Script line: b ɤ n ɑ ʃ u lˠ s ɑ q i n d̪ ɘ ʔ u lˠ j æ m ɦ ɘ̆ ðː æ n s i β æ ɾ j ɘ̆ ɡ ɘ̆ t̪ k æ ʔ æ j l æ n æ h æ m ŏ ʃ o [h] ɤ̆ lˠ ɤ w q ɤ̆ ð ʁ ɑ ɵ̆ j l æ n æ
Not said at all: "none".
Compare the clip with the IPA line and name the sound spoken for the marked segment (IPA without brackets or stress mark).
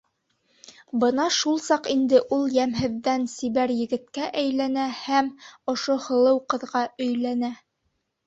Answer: h